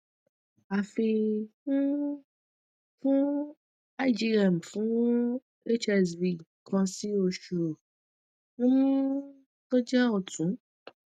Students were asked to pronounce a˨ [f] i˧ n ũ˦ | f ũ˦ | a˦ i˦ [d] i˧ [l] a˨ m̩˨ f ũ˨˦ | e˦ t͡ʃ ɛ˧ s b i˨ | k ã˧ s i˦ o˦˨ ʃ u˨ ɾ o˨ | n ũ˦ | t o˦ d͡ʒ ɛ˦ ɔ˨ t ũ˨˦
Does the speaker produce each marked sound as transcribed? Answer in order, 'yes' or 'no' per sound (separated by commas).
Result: yes, no, no